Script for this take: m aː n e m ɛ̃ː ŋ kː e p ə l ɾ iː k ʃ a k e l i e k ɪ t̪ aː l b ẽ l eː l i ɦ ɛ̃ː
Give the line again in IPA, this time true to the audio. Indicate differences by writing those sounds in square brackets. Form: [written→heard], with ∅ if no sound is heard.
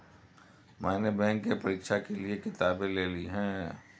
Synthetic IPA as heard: m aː n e [m→b] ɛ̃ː ŋ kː e p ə [l→∅] ɾ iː k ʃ a k e l i e k ɪ t̪ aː [l→∅] b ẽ l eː l i ɦ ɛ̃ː